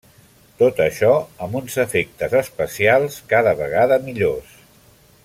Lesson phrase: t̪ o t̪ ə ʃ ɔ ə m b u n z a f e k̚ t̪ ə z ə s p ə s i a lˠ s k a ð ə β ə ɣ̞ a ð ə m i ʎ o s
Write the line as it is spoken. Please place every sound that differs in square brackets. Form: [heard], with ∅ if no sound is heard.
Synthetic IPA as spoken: t̪ o t̪ ə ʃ ɔ ə m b u n z [ə] f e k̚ t̪ ə z ə s p ə s i a lˠ s k a ð ə β ə ɣ̞ a ð ə m i ʎ o s